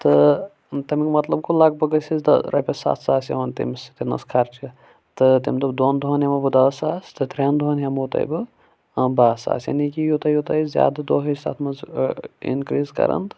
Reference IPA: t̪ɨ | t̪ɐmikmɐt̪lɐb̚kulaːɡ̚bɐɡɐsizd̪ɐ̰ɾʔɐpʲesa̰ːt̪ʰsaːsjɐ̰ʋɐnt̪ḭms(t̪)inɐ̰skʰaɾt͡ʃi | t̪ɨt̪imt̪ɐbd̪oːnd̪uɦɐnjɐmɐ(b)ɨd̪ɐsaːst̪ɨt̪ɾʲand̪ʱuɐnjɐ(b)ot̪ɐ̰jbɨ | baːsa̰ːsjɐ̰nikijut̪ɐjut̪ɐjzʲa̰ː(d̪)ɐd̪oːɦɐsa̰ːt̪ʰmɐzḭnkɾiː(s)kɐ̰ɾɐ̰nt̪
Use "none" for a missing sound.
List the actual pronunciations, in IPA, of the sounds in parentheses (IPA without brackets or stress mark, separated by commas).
t̪, b, m, d̪, z